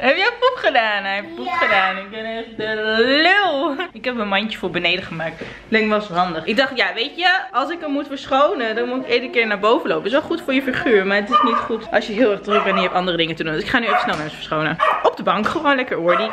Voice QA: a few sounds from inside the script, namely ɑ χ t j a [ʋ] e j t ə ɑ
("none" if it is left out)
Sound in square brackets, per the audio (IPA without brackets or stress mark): ʋ